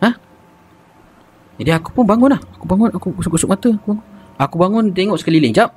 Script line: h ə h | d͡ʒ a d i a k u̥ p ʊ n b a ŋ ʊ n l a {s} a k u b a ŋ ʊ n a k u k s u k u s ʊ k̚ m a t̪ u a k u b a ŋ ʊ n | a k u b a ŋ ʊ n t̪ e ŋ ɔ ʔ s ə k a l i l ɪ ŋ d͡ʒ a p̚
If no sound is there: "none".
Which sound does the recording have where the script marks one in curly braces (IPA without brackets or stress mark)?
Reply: h